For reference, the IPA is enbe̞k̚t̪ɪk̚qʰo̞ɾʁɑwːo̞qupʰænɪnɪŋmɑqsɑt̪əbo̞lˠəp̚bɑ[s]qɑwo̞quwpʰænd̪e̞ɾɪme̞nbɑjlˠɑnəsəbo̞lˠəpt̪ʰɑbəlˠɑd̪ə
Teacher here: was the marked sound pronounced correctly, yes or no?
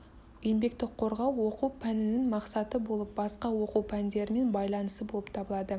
yes